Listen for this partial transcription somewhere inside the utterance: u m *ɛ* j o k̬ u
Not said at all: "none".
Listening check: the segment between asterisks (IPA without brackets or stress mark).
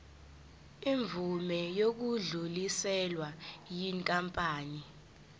ɛ